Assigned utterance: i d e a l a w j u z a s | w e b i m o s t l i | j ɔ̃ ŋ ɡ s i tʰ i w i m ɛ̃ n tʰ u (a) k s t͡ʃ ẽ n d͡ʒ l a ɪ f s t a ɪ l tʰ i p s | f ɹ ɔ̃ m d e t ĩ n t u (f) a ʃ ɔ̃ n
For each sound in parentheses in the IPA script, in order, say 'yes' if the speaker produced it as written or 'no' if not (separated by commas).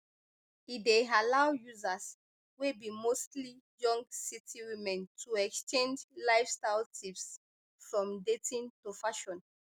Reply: no, yes